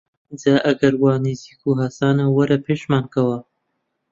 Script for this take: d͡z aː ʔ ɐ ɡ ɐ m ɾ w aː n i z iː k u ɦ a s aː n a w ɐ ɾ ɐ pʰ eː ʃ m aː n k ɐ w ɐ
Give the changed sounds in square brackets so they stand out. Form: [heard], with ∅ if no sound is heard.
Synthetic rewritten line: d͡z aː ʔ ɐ ɡ ɐ [∅] ɾ w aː n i z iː k u ɦ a s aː n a w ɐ ɾ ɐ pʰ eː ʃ m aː n k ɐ w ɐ